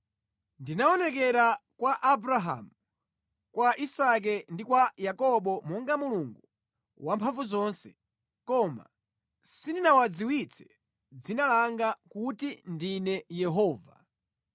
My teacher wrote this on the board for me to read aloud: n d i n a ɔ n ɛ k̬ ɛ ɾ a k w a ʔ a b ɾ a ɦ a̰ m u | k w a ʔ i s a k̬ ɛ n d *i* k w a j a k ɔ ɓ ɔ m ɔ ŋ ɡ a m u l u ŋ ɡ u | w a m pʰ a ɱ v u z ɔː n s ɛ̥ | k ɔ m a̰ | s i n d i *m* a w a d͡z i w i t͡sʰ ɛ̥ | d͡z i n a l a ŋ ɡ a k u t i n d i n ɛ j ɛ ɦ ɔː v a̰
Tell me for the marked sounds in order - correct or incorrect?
correct, incorrect: n

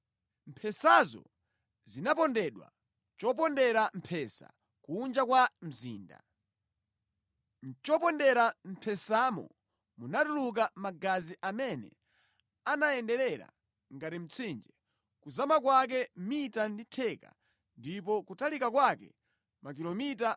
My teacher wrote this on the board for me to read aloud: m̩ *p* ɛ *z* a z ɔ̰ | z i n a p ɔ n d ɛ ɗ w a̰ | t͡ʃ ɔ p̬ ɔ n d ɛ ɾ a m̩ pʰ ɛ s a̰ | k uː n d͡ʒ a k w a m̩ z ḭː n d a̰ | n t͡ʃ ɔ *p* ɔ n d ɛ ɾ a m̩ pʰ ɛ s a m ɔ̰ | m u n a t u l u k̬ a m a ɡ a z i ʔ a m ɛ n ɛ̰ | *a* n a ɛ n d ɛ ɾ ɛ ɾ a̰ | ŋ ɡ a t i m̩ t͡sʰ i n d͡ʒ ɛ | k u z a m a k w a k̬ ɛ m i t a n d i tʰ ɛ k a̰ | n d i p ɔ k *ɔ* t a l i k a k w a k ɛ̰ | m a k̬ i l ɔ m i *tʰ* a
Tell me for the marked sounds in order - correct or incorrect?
incorrect: pʰ, incorrect: s, correct, correct, incorrect: u, incorrect: t

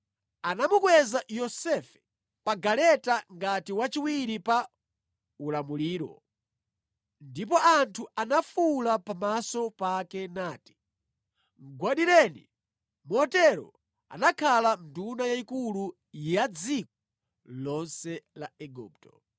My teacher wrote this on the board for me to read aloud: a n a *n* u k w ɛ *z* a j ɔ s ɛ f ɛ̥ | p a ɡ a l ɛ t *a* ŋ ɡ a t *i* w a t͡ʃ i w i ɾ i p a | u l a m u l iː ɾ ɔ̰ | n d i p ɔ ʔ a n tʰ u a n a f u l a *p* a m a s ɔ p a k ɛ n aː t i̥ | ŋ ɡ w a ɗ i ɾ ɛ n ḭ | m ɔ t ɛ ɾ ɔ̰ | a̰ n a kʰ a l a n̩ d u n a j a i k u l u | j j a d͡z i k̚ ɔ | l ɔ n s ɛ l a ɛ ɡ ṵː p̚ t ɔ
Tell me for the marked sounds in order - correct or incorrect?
incorrect: m, correct, correct, correct, correct

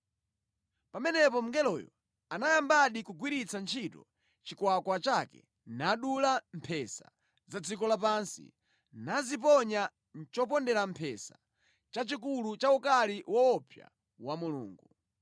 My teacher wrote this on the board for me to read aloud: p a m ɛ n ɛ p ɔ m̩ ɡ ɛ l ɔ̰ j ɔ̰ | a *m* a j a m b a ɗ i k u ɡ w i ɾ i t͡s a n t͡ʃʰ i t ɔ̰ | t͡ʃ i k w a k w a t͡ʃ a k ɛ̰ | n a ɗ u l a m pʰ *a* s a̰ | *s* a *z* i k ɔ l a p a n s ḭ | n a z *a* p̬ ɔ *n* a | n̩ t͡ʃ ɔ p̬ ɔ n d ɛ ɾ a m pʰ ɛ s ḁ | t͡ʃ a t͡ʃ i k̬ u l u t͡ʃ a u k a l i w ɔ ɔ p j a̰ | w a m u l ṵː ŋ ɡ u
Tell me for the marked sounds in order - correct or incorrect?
incorrect: n, incorrect: ɛ, incorrect: z, incorrect: d͡z, incorrect: i, incorrect: ɲ

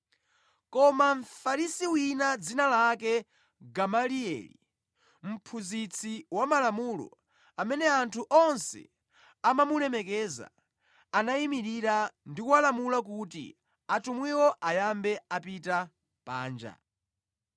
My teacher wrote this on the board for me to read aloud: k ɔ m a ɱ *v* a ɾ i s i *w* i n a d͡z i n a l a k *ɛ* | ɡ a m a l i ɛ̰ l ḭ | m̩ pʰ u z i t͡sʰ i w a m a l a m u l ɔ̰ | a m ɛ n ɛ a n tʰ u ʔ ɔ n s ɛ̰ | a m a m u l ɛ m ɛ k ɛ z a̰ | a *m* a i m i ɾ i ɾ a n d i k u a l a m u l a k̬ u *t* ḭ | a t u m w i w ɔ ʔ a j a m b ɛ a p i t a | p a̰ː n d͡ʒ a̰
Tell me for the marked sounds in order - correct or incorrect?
incorrect: f, correct, correct, incorrect: n, correct

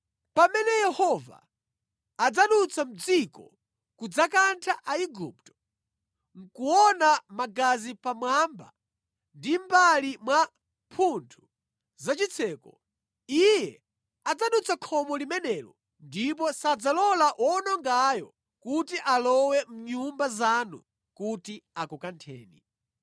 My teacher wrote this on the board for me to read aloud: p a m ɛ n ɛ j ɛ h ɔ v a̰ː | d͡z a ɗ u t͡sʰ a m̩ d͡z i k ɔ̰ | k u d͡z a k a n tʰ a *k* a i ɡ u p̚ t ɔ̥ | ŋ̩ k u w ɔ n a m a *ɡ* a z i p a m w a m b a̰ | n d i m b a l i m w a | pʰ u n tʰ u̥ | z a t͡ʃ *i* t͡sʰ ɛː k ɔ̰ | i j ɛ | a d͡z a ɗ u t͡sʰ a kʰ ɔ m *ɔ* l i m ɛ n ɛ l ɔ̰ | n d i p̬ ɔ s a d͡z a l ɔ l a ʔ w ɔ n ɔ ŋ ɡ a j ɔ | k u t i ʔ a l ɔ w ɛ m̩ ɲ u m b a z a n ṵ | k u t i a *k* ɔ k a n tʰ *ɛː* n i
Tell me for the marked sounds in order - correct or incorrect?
incorrect: ʔ, correct, correct, correct, correct, correct

